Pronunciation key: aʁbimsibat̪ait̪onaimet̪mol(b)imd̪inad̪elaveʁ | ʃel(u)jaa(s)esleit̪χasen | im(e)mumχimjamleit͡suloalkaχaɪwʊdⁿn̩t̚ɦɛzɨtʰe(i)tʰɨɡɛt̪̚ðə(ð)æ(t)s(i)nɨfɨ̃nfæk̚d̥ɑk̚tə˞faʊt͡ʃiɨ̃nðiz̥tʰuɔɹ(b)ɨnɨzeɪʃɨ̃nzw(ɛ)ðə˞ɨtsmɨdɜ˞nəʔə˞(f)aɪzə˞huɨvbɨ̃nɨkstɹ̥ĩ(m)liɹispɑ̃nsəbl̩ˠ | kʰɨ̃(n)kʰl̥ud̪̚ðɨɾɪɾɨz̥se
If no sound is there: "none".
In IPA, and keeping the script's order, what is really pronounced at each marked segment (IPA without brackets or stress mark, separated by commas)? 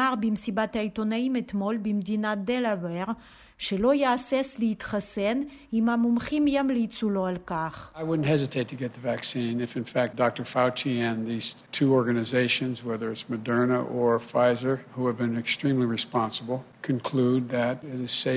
b, o, s, a, ɪ, v, k, ĩ, ɡ, ɛ, f, m, n